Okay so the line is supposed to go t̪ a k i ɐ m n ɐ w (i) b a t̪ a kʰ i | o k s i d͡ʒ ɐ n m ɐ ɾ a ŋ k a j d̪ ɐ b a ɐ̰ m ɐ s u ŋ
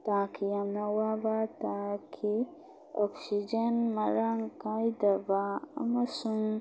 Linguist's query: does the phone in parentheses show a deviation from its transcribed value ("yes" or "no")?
yes